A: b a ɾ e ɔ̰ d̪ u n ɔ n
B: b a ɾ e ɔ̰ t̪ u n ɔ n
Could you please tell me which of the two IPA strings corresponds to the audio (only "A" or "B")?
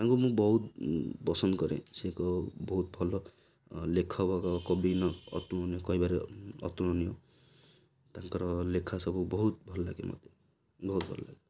B